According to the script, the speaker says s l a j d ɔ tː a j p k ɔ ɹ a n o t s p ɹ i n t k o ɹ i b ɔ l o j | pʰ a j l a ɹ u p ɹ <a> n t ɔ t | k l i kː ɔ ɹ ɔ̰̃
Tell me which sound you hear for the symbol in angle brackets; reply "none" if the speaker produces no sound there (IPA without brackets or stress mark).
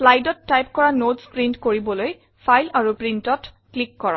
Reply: i